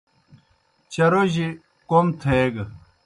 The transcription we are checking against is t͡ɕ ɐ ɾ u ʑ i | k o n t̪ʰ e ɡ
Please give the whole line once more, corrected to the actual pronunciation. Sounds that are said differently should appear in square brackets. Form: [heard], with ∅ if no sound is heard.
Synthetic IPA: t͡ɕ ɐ ɾ [o] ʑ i | k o [m] t̪ʰ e ɡ